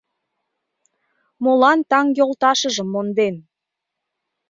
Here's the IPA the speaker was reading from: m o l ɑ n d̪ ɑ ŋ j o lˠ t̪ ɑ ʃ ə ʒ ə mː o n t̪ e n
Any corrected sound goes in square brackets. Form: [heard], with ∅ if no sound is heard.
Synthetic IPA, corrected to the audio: m o l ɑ n [t̪] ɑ ŋ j o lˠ t̪ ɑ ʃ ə ʒ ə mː o n [d̪] e n